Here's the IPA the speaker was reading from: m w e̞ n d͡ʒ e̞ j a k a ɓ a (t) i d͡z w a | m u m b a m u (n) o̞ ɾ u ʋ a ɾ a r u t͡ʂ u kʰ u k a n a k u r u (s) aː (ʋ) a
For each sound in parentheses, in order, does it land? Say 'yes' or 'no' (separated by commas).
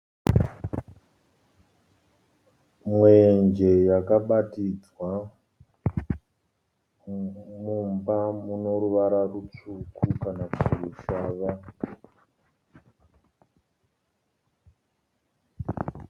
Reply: yes, yes, no, yes